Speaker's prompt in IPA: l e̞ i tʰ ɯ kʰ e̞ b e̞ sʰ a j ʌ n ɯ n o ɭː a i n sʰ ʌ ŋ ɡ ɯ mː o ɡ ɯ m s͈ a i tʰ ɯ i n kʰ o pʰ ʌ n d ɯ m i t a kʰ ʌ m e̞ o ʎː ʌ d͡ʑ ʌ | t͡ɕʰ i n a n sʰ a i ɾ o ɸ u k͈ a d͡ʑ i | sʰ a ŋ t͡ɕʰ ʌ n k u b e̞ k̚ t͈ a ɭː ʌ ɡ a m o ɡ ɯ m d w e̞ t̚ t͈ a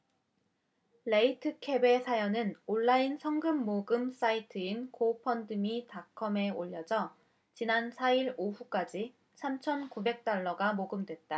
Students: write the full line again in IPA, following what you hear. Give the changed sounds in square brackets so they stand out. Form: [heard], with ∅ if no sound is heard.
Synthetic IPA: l e̞ i tʰ ɯ kʰ e̞ b e̞ sʰ a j ʌ n ɯ n o ɭː a i n sʰ ʌ ŋ ɡ ɯ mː o ɡ ɯ m s͈ a i tʰ ɯ i n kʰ o pʰ ʌ n d ɯ m i t a kʰ ʌ m e̞ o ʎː ʌ d͡ʑ ʌ | [t͡ɕ] i n a n sʰ a i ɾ o ɸ u k͈ a d͡ʑ i | sʰ a [m] t͡ɕʰ ʌ n k u b e̞ k̚ t͈ a ɭː ʌ ɡ a m o ɡ ɯ m d w e̞ t̚ t͈ a